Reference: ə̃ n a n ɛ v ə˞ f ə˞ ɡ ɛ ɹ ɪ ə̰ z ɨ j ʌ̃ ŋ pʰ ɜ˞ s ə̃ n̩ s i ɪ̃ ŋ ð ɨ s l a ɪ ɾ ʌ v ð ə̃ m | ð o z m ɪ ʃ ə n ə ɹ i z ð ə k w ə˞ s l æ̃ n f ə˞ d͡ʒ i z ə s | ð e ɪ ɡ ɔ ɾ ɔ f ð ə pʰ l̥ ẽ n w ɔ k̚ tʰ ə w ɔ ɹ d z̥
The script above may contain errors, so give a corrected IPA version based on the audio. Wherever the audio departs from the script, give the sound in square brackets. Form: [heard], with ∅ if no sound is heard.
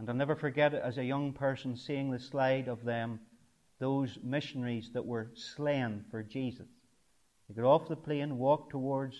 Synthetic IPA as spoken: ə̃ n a n ɛ v ə˞ f ə˞ ɡ ɛ [ɾ] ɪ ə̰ z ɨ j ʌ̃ ŋ pʰ ɜ˞ s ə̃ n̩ s i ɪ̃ ŋ ð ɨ s l a ɪ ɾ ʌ v ð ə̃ m | ð o z m ɪ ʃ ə n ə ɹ i z ð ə [ʔ] w ə˞ s l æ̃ n f ə˞ d͡ʒ i z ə s | ð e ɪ ɡ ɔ ɾ ɔ f ð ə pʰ l̥ ẽ n w ɔ k̚ tʰ ə w ɔ ɹ d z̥